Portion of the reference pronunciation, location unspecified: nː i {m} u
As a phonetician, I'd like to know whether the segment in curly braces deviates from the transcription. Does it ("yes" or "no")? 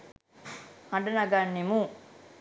no